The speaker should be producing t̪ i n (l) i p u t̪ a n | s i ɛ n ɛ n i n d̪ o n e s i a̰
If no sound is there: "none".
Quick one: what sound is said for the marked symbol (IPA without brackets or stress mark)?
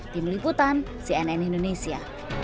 l